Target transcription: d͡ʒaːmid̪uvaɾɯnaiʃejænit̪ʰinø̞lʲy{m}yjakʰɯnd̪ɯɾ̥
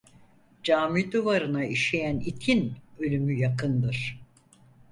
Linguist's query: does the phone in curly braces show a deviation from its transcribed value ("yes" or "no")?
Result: no